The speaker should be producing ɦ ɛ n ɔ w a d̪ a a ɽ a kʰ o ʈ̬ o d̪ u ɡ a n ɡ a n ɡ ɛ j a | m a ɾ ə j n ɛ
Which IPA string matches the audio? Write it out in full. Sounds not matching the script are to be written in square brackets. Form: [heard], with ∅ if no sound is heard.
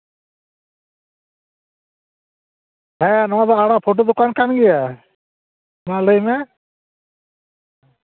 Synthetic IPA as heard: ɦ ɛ n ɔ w a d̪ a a ɽ a [pʰ] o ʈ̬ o d̪ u [k] a n [k] a n ɡ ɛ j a | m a [l] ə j [m] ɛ